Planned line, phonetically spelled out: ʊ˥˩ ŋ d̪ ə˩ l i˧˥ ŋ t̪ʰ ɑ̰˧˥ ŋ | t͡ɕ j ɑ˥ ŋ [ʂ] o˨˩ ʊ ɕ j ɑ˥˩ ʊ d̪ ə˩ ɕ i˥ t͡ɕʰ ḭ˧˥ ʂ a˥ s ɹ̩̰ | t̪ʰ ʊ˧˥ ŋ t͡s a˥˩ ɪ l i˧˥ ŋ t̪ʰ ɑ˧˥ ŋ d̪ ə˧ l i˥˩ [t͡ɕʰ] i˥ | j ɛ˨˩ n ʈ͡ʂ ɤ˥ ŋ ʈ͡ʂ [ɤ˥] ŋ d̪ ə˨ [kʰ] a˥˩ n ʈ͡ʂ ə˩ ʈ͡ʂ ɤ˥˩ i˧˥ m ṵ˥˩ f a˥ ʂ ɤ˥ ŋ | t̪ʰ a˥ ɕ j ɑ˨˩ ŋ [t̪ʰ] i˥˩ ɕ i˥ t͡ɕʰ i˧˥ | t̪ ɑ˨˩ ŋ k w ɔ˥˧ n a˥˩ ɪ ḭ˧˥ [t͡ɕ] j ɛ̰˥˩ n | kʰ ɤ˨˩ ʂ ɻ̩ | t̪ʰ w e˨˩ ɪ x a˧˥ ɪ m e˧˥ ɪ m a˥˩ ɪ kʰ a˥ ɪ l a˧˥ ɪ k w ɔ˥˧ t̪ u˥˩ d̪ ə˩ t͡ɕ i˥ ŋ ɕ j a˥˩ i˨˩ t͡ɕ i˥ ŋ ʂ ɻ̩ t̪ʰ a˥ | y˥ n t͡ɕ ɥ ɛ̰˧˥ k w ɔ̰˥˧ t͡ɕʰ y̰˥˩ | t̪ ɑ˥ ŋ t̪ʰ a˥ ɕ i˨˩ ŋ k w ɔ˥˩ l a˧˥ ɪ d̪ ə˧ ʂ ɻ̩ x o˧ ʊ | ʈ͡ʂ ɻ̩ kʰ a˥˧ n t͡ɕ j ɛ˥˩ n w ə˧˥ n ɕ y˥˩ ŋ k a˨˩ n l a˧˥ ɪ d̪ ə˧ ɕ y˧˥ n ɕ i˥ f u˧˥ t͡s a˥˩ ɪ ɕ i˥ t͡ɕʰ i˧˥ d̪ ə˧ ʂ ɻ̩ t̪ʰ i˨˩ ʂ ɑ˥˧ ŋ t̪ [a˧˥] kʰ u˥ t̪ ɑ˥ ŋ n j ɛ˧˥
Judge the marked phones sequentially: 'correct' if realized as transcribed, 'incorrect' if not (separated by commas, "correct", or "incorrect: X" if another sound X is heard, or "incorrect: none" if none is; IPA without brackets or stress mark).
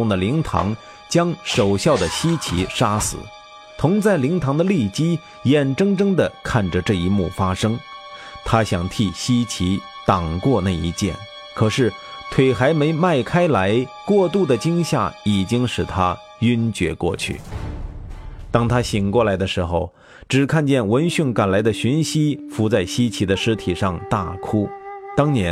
correct, incorrect: t͡ɕ, correct, correct, correct, correct, incorrect: a˥˩